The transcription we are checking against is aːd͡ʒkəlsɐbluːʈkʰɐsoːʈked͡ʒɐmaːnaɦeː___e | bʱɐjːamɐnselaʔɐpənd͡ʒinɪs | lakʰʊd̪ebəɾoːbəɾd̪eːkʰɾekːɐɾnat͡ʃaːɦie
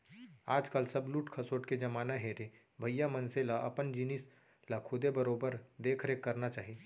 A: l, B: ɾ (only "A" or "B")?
B